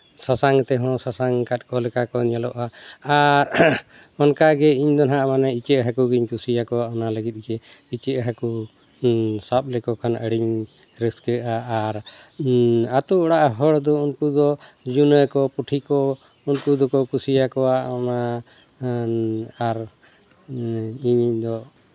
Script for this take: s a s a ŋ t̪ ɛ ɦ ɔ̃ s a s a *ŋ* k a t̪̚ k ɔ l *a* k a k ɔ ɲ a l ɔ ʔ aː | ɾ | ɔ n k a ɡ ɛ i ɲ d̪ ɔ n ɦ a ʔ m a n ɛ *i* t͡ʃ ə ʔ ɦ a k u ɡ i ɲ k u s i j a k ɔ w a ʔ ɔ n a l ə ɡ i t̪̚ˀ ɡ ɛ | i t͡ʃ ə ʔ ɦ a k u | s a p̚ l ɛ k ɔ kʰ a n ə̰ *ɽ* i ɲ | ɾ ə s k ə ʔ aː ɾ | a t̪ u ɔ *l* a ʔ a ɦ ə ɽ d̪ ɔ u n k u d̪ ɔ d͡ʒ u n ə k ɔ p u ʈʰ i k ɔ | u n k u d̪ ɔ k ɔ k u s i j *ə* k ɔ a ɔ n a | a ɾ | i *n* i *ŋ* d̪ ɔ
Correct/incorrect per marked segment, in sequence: correct, incorrect: ɛ, correct, correct, incorrect: ɽ, incorrect: a, incorrect: ɲ, incorrect: ɲ

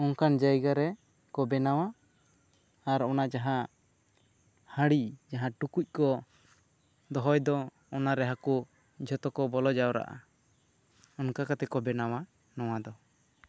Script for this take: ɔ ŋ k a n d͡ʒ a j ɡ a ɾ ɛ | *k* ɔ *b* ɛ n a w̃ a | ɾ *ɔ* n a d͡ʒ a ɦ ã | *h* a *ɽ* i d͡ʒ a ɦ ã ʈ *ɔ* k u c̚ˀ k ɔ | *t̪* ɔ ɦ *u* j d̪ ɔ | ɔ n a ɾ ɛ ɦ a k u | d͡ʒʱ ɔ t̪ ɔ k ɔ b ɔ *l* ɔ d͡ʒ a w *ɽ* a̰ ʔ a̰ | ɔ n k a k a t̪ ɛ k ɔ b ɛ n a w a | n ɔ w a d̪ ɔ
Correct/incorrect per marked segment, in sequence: correct, correct, correct, correct, correct, incorrect: u, incorrect: d̪, incorrect: ɔ, correct, incorrect: ɾ

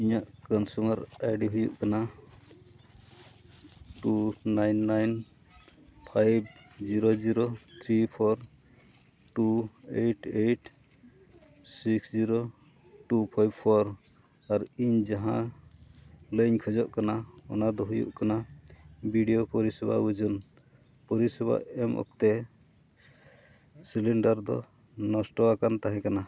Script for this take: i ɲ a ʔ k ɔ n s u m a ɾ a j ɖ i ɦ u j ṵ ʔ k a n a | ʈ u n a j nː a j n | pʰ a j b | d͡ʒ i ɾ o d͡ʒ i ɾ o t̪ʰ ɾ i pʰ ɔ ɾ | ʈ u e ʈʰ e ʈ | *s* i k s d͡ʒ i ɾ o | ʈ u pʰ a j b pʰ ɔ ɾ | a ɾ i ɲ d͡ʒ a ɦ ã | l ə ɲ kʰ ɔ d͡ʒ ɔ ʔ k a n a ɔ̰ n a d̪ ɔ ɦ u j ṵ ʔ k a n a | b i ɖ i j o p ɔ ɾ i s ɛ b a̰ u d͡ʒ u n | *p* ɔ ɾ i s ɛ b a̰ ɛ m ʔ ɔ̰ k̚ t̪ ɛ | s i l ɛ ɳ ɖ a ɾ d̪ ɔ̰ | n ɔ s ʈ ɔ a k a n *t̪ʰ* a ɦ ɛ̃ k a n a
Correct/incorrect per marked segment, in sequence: correct, correct, incorrect: t̪

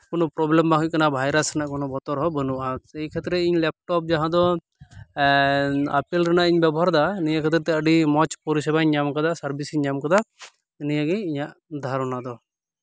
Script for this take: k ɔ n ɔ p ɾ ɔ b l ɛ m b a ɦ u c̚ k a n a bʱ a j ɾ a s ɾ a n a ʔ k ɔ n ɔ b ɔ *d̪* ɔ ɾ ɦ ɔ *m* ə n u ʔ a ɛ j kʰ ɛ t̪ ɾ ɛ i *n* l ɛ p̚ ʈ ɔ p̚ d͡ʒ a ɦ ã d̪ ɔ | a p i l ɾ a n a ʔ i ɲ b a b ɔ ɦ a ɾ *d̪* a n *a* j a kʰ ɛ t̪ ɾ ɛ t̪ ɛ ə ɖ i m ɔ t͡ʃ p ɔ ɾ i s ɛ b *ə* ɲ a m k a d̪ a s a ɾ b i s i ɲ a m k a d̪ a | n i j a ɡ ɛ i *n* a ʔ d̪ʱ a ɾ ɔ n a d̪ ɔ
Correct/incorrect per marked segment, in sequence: incorrect: t̪, incorrect: b, incorrect: ɲ, correct, incorrect: i, incorrect: a, incorrect: ɲ

